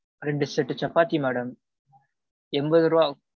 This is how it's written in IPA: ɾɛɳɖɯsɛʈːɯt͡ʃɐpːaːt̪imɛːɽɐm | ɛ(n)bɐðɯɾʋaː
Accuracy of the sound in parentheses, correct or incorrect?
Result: incorrect: m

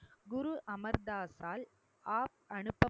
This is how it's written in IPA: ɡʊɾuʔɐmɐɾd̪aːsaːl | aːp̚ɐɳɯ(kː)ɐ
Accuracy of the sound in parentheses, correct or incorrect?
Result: incorrect: pː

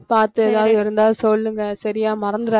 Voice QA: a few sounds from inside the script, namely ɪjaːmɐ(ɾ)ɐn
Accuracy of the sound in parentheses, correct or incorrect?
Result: correct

